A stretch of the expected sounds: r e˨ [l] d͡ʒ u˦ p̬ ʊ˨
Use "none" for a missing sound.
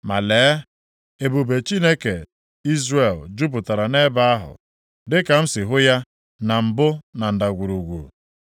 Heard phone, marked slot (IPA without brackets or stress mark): l